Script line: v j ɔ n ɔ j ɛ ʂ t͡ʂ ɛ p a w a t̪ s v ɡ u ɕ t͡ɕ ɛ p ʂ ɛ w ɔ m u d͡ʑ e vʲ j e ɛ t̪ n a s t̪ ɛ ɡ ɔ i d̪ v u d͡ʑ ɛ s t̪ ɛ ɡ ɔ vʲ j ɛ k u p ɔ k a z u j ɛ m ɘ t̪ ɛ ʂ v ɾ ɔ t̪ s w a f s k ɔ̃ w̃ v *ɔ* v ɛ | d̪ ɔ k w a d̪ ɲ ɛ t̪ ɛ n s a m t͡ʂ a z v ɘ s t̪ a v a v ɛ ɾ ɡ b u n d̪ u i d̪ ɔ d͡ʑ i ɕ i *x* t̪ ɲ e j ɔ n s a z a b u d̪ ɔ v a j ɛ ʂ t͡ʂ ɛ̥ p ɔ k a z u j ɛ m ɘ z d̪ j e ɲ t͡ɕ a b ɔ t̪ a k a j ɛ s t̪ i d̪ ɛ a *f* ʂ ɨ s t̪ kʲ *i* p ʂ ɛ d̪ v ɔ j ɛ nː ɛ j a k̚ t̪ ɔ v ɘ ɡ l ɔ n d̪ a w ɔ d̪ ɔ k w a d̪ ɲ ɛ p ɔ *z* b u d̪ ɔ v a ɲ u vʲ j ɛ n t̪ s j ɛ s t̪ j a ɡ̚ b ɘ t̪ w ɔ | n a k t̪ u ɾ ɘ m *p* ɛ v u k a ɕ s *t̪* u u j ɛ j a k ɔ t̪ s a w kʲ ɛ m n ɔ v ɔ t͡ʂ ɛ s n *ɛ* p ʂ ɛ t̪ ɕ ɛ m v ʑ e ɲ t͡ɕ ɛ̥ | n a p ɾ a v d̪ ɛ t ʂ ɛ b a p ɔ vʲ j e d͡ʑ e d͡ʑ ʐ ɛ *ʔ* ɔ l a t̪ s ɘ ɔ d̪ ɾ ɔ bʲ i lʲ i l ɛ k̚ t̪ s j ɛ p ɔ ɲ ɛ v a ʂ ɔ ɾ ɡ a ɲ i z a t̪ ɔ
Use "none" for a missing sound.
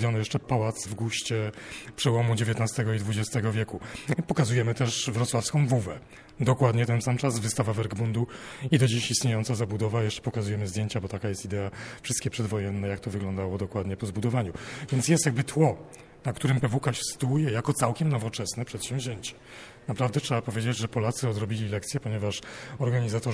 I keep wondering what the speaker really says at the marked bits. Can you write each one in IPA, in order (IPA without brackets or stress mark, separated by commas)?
u, s, f, ɛ, z, p, t̪, ɛ, p